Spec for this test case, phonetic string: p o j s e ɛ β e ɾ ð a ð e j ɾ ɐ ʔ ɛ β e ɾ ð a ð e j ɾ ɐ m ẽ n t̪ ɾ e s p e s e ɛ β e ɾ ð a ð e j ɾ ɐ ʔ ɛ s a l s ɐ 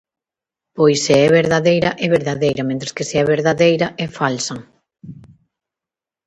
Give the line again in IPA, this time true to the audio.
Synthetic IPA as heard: p o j s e ɛ β e ɾ ð a ð e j ɾ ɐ ʔ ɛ β e ɾ ð a ð e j ɾ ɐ m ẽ n t̪ ɾ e s k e s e ɛ β e ɾ ð a ð e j ɾ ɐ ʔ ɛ f a l s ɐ